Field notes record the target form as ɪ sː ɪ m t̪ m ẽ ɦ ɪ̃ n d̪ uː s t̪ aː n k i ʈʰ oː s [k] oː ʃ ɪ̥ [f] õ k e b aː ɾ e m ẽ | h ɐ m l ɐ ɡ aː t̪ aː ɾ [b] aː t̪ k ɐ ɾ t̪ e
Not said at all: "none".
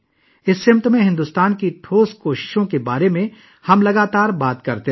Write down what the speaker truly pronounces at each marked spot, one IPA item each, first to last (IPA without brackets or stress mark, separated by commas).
k, ʃ, b